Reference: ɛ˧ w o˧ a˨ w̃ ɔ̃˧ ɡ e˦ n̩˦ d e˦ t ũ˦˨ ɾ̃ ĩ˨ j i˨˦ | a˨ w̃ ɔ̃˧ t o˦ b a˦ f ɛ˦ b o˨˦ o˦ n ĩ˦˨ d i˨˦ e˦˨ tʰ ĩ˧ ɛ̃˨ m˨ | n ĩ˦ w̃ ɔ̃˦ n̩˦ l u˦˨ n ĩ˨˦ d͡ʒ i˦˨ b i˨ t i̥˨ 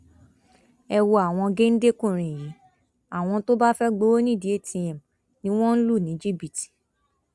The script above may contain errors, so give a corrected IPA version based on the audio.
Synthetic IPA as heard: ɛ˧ w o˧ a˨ w̃ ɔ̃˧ ɡ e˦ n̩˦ d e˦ k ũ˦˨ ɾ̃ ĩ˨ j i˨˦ | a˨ w̃ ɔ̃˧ t o˦ b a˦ f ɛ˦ ɡ͡b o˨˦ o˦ n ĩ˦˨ d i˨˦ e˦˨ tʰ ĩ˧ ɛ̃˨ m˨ | n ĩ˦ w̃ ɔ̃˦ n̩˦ l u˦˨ n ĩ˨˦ d͡ʒ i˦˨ b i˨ t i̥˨

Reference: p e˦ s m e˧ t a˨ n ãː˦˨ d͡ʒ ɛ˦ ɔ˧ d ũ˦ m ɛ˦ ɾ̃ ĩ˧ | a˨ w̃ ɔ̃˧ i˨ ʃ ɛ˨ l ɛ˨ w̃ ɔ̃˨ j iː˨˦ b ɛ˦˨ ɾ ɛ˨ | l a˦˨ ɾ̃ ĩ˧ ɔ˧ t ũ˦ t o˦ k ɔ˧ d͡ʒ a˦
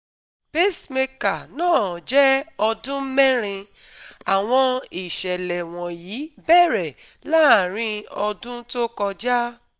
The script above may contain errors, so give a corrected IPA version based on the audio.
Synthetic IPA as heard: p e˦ s m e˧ k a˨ n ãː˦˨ d͡ʒ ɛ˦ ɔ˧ d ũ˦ m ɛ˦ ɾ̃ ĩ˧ | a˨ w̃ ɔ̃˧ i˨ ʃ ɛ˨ l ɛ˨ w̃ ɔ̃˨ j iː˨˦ b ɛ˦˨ ɾ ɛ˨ | l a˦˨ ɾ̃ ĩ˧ ɔ˧ d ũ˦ t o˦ k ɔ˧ d͡ʒ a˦

